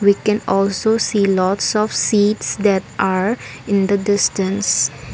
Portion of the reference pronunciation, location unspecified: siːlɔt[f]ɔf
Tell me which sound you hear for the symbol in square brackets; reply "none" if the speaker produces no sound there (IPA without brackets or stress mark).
s